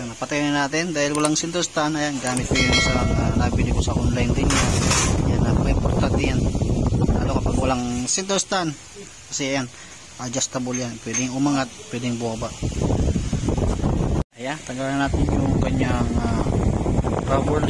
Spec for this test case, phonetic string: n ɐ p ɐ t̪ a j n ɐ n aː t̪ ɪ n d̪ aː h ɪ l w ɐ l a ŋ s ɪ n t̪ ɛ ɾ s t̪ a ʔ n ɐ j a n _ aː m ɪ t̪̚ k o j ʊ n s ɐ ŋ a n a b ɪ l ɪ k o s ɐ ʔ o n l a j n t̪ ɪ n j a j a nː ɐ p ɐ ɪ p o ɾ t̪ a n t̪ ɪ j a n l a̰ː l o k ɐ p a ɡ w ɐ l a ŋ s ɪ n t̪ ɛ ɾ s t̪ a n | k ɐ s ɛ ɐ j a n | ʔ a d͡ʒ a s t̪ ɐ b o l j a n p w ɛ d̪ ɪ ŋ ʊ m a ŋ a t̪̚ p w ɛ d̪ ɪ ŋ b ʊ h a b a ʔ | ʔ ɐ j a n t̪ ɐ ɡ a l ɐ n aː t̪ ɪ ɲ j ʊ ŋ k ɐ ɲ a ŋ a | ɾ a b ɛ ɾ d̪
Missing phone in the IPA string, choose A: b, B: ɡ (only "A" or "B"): B